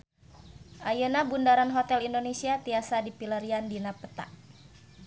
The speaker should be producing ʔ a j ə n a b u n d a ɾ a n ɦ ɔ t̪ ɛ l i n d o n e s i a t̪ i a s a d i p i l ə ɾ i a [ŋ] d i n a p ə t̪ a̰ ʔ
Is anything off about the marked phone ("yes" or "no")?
yes